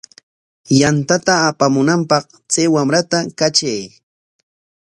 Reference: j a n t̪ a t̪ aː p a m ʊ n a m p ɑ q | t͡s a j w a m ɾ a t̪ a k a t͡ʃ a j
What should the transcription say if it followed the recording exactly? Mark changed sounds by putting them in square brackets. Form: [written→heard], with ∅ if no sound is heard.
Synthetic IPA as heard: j a n t̪ a t̪ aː p a m ʊ n a m p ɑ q | t͡s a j w a m ɾ a t̪ a k a t͡ʃ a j